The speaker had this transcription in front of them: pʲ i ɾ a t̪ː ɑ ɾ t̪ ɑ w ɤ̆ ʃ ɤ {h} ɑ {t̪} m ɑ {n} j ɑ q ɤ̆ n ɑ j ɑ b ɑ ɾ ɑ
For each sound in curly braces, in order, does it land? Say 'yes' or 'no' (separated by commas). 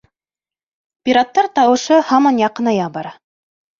yes, no, yes